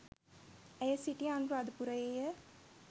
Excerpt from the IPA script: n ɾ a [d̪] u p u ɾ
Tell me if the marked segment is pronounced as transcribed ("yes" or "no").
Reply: yes